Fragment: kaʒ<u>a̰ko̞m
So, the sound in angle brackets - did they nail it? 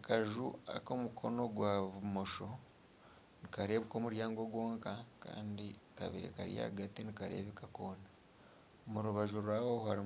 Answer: yes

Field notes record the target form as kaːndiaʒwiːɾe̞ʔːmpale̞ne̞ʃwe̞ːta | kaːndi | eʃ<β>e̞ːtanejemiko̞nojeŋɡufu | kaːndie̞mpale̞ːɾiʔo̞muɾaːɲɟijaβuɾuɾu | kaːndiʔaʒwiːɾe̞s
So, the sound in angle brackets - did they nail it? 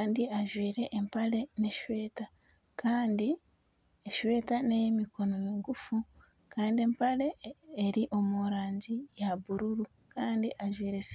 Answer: no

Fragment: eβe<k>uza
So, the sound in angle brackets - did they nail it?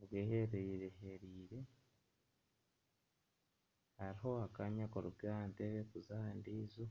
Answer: yes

